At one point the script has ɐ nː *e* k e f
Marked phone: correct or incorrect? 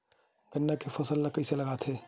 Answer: incorrect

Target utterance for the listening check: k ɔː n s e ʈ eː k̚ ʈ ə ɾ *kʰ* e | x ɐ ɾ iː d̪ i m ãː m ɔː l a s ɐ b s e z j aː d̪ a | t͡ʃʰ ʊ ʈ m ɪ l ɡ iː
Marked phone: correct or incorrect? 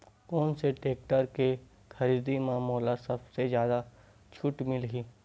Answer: incorrect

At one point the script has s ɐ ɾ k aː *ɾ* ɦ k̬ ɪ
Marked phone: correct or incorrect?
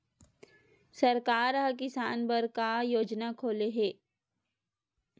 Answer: correct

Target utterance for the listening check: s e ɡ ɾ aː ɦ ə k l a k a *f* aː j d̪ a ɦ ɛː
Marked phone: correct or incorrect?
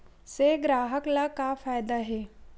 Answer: correct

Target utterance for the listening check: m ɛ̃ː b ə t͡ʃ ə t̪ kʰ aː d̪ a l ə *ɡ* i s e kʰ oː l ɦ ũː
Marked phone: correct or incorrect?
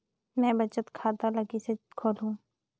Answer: correct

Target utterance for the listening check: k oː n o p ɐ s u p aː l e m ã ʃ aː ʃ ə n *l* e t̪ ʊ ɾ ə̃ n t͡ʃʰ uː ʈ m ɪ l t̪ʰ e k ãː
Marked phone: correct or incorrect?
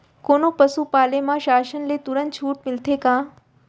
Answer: correct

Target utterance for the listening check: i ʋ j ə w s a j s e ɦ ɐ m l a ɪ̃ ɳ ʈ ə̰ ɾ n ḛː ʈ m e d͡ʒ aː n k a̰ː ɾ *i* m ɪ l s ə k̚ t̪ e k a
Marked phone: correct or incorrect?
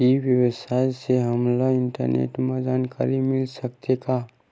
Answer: correct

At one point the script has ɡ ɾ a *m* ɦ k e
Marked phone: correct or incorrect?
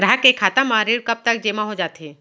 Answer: incorrect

